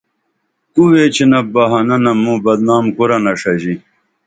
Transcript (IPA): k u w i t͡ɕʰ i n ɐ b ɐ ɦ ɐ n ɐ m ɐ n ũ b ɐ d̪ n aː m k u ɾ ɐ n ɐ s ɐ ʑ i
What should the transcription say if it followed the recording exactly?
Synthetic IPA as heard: k u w e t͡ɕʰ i n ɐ b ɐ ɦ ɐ n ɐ n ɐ m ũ b ɐ d̪ n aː m k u ɾ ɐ n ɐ ʂ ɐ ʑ i